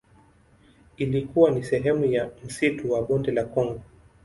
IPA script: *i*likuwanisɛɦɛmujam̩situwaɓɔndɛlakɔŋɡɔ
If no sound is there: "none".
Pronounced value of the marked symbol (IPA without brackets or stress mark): i